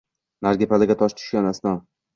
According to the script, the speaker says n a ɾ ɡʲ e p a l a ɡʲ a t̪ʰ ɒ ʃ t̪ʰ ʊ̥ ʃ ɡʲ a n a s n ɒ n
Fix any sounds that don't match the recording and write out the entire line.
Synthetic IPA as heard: n a ɾ ɡʲ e p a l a ɡʲ a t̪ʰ ɒ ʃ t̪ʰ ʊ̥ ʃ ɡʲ a n a s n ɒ n